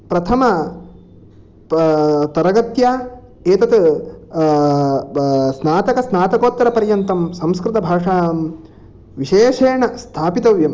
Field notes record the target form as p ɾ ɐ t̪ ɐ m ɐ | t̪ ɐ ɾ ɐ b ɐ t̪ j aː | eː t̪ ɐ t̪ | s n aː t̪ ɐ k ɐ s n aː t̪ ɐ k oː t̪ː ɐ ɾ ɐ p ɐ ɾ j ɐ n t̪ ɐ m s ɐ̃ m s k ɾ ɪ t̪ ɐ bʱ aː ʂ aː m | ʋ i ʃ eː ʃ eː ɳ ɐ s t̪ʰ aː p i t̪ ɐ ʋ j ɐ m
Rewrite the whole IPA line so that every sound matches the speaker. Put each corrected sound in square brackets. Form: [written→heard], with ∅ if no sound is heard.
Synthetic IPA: p ɾ ɐ [t̪→t̪ʰ] ɐ m ɐ | t̪ ɐ ɾ ɐ [b→ɡ] ɐ t̪ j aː | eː t̪ ɐ t̪ | s n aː t̪ ɐ k ɐ s n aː t̪ ɐ k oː t̪ː ɐ ɾ ɐ p ɐ ɾ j ɐ n t̪ ɐ m s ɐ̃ m s k ɾ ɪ t̪ ɐ bʱ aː ʂ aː m | ʋ i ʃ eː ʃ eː ɳ ɐ s t̪ʰ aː p i t̪ ɐ ʋ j ɐ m